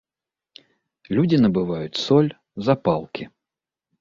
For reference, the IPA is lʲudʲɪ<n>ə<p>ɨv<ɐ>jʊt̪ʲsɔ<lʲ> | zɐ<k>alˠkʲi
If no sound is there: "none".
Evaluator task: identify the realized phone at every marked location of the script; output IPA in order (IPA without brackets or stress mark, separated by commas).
n, b, a, lʲ, p